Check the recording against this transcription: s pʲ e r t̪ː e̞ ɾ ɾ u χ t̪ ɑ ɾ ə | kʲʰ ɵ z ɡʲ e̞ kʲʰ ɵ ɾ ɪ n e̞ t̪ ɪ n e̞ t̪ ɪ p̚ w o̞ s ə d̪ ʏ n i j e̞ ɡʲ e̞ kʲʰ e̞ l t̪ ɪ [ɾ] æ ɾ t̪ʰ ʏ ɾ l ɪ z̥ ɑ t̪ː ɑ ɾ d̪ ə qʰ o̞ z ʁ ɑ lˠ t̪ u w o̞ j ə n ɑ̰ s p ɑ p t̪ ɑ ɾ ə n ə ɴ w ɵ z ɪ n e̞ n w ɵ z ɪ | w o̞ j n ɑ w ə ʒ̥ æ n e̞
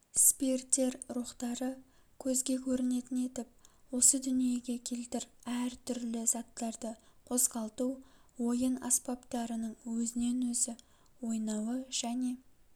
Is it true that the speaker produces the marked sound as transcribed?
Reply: yes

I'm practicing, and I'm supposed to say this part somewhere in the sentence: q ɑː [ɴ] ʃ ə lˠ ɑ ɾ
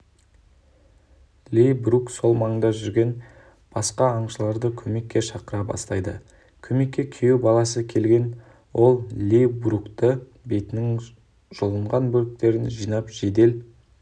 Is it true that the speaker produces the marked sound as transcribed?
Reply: yes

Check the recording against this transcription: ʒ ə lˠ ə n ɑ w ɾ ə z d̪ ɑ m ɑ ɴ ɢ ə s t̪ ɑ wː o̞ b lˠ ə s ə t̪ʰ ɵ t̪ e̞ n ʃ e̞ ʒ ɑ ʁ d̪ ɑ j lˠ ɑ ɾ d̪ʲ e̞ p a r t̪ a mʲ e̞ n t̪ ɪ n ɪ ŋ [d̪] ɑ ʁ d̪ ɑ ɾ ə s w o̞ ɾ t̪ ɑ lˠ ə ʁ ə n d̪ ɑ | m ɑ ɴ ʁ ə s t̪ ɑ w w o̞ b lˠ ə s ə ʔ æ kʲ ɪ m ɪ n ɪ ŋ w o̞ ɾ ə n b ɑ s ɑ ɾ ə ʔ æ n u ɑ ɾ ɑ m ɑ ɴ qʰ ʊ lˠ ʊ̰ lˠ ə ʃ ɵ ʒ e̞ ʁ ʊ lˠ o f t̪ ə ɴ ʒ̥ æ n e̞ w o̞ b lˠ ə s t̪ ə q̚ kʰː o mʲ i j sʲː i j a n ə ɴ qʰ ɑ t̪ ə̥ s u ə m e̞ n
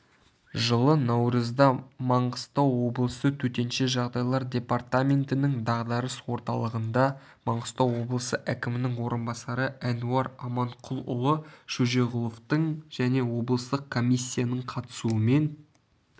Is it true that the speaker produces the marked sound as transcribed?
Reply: yes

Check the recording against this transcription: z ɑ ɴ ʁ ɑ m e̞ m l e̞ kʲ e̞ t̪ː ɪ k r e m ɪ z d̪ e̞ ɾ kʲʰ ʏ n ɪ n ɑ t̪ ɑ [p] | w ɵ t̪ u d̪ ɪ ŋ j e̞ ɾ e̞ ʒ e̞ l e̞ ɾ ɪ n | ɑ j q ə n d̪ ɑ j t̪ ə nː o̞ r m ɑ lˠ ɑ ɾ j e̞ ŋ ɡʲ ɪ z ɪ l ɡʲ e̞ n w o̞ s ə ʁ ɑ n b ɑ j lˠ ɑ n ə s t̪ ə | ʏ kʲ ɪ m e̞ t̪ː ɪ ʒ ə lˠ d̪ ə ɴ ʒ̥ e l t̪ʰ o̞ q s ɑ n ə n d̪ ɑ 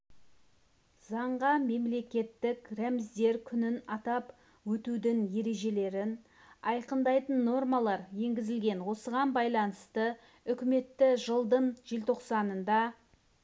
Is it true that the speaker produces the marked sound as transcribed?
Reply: yes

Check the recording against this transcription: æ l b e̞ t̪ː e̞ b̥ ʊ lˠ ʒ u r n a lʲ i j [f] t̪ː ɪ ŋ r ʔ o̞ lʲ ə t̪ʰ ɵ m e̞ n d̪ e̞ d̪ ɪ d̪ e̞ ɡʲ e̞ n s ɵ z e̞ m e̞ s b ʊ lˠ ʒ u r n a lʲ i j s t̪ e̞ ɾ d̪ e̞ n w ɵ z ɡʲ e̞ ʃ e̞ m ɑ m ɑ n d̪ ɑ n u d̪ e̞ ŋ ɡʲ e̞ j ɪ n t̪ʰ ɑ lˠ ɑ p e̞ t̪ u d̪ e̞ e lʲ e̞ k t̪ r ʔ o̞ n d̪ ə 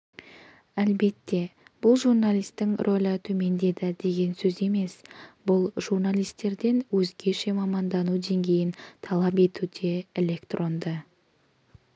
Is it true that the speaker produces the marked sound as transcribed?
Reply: no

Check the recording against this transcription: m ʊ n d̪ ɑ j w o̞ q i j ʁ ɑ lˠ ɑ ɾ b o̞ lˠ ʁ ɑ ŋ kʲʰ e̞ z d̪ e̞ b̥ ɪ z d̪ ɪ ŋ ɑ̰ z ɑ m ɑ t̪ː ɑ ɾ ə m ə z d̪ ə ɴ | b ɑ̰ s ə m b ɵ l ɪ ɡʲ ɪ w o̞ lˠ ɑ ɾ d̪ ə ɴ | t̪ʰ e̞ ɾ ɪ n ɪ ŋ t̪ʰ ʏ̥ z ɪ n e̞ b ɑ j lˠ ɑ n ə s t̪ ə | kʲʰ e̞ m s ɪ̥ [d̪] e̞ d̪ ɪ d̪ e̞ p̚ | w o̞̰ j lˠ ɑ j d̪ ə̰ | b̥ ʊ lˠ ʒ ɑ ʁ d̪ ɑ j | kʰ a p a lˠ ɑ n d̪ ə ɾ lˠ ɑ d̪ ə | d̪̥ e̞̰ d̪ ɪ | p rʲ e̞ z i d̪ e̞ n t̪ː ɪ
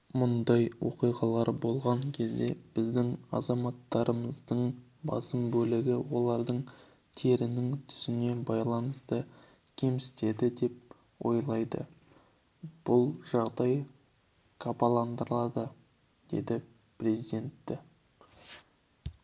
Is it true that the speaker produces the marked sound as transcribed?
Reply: no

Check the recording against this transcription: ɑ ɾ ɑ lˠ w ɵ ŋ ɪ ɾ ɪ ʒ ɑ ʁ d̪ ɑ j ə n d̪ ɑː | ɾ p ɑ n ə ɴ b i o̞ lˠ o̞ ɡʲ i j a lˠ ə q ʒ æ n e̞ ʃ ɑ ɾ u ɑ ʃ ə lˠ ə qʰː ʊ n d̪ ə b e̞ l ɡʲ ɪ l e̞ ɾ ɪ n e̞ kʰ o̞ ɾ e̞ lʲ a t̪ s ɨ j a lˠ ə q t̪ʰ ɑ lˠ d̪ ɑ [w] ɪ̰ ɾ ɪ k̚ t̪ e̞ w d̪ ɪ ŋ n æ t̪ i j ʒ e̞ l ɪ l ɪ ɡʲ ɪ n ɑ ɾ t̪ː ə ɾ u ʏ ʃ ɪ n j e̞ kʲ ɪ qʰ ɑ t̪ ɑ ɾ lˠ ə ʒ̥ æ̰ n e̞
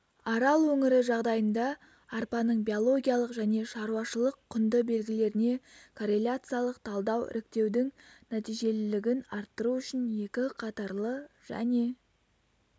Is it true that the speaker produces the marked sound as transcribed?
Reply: yes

